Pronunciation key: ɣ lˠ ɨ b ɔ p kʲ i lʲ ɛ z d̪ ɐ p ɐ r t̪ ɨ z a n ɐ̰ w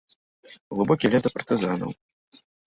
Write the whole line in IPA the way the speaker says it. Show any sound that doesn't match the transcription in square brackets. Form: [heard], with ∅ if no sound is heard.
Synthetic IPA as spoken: ɣ lˠ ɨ b ɔ [∅] kʲ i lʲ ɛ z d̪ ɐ p ɐ r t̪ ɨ z a n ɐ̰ w